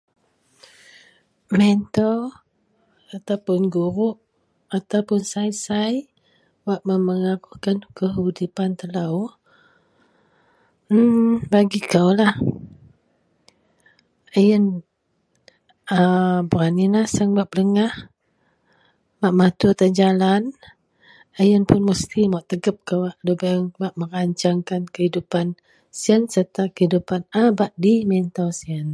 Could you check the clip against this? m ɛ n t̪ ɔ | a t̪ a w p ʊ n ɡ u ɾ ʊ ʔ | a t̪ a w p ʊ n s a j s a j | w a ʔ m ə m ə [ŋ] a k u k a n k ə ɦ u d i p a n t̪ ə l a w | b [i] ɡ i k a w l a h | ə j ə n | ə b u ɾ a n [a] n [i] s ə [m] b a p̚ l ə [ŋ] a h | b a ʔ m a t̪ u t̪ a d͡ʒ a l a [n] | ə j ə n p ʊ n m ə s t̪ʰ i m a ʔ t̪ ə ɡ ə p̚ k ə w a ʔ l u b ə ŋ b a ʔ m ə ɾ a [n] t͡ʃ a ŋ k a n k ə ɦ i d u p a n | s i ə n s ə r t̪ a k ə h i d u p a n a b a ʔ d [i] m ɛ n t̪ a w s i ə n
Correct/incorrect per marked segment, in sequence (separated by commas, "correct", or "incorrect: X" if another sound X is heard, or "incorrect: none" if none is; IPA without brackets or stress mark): correct, incorrect: a, incorrect: i, incorrect: a, incorrect: ŋ, correct, correct, incorrect: ɲ, correct